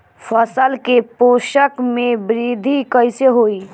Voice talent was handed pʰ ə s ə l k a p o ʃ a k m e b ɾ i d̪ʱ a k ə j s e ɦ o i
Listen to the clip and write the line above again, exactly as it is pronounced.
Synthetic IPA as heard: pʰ ə s ə l k e p o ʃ ə k m e b ɾ i d̪ʱ i k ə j s e ɦ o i